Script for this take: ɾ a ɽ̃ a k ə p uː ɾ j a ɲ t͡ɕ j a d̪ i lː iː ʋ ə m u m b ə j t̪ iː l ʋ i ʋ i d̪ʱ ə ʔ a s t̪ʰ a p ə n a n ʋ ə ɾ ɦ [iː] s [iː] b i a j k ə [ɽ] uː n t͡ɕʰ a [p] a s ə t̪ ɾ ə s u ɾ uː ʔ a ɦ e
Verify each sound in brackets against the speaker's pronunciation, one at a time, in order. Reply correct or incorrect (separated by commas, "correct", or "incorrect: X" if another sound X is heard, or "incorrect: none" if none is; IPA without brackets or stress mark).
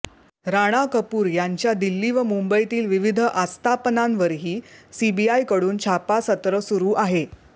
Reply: correct, incorrect: i, correct, correct